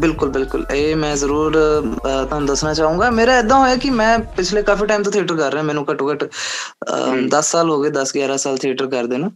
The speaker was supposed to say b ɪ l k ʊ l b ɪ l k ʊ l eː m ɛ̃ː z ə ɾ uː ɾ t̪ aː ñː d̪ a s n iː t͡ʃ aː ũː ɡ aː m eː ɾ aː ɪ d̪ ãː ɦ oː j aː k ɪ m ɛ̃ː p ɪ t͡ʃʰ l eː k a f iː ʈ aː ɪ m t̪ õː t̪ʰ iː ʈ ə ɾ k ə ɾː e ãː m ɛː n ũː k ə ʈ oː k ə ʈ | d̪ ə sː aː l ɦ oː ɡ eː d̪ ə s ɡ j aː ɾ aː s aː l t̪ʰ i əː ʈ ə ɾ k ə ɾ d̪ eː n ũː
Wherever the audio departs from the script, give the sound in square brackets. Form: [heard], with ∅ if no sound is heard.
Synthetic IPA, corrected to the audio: b ɪ l k ʊ l b ɪ l k ʊ l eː m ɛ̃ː z ə ɾ uː ɾ t̪ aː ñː d̪ [ə] s n [aː] t͡ʃ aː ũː ɡ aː m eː ɾ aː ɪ d̪ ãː ɦ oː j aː k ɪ m ɛ̃ː p ɪ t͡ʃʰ l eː k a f iː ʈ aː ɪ m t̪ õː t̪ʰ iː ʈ ə ɾ k ə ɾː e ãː m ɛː n ũː k ə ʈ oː k ə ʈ | d̪ ə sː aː l ɦ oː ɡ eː d̪ ə s ɡ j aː ɾ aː s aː l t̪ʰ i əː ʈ ə ɾ k ə ɾ d̪ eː n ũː